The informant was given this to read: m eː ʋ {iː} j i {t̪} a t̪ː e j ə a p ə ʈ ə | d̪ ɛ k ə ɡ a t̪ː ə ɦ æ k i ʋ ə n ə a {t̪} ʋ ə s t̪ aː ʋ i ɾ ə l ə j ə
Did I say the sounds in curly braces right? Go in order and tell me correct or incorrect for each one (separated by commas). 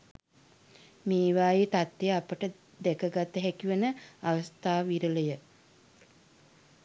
incorrect, correct, incorrect